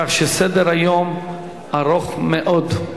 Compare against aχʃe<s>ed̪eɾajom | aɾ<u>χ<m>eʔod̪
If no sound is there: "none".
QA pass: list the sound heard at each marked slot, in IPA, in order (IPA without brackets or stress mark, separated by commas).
s, o, m